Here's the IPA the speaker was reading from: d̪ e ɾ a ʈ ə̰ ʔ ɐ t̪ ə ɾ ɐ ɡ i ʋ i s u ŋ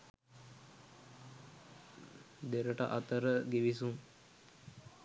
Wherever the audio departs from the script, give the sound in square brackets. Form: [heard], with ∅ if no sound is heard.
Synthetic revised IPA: d̪ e ɾ [ə] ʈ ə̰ ʔ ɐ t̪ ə ɾ [ə] ɡ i ʋ i s u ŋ

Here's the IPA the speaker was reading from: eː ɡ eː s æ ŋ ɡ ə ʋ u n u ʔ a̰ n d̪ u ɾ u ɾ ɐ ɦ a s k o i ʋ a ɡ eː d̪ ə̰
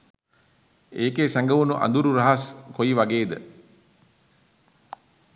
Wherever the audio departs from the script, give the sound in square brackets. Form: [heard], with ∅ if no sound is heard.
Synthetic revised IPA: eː [k] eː s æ ŋ ɡ ə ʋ u n u ʔ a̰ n d̪ u ɾ u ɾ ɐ ɦ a s k o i ʋ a ɡ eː d̪ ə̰

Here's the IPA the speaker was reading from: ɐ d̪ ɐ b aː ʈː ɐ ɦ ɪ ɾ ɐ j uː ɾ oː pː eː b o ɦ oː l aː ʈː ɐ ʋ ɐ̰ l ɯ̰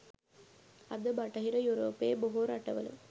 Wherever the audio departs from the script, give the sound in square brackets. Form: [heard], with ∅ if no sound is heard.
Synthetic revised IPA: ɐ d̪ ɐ b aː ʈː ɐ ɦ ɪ ɾ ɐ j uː ɾ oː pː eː b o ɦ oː [ɾ] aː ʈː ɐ ʋ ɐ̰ l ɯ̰

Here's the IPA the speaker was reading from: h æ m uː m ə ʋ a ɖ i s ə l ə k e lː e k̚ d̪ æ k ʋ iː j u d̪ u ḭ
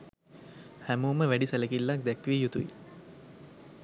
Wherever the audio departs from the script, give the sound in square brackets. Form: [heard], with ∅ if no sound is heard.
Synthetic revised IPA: h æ m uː m ə ʋ [æ] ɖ i s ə l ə k [i] lː [a] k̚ d̪ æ k ʋ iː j u [t̪] u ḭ

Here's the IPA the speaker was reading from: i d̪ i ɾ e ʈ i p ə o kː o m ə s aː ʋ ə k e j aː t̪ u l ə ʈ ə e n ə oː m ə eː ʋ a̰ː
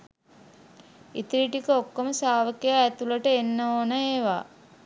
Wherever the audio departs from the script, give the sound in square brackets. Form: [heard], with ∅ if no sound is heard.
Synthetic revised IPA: i [t̪] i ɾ [i] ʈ i [k] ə o kː o m ə s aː ʋ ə k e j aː t̪ u l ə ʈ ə e [nː] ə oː [n] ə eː ʋ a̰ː

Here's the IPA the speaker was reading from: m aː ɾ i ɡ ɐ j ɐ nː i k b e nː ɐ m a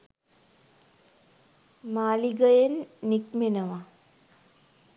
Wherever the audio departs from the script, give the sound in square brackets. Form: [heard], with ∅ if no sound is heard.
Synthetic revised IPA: m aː [l] i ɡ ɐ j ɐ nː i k [m] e [n] ɐ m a

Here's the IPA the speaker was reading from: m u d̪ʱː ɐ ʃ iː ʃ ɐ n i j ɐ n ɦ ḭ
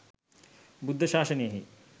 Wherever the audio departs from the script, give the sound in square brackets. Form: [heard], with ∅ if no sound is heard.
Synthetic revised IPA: [b] u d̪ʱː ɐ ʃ [aː] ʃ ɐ n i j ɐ [∅] ɦ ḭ

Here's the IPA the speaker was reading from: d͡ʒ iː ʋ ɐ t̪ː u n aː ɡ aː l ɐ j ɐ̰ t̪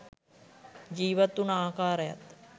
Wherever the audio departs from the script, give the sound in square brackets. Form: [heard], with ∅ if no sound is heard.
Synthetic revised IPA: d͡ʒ iː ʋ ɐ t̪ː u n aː [k] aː [ɾ] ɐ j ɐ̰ t̪

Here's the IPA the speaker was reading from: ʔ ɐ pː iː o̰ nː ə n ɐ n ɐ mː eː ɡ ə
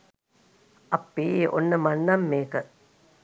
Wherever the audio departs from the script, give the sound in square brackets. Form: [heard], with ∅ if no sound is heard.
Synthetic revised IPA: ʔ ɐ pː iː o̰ nː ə [m] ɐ [nː] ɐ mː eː [k] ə

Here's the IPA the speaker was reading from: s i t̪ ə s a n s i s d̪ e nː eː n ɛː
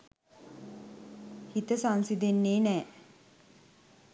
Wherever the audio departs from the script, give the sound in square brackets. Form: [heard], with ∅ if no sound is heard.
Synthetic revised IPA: [h] i t̪ ə s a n s i [∅] d̪ e nː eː n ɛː

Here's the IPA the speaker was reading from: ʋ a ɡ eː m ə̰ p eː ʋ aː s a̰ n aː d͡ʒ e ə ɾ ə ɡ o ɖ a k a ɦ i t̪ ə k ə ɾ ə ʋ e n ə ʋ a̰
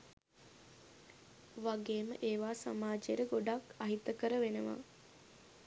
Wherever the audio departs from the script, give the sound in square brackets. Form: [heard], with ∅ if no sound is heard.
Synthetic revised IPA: ʋ a ɡ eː m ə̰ [ʔ] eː ʋ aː s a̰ [m] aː d͡ʒ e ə ɾ ə ɡ o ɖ a k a ɦ i t̪ ə k ə ɾ ə ʋ e n ə ʋ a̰

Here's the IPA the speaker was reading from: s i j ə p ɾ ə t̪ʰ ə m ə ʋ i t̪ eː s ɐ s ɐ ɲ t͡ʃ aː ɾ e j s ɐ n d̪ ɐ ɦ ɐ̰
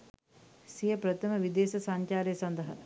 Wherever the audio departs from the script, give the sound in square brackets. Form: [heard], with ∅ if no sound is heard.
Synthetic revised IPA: s i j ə p ɾ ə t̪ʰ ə m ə ʋ i [d̪] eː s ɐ s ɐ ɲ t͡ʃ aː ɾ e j s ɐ n d̪ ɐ ɦ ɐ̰

